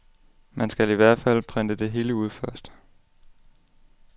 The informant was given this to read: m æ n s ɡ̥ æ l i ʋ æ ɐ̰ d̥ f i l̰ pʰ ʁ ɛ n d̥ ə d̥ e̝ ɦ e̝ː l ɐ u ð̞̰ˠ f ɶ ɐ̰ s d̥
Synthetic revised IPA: m æ n s ɡ̥ æ l i ʋ æ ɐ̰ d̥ f æ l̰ pʰ ʁ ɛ n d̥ ə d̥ e̝ ɦ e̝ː l ə u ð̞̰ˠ f ɶ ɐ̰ s d̥